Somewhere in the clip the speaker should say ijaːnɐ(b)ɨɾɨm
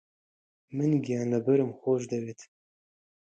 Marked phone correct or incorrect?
correct